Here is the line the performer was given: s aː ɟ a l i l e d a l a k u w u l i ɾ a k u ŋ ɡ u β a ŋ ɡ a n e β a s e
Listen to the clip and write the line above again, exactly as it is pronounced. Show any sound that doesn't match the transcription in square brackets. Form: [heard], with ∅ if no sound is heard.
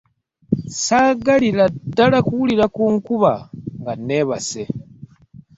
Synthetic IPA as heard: s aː [ɡ] a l i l [a] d a l a k u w u l i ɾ a k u ŋ [k] u β a ŋ ɡ a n e β a s e